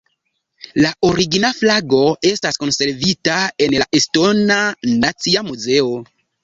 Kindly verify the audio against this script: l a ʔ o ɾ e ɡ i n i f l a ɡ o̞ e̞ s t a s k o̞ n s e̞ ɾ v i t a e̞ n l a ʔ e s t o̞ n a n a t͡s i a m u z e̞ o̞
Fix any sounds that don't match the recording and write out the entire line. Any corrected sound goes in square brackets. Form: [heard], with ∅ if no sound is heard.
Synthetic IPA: l a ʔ o ɾ [i] ɡ i n [a] f l a ɡ o̞ e̞ s t a s k o̞ n s e̞ ɾ v i t a e̞ n l a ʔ e s t o̞ n a n a t͡s i a m u z e̞ o̞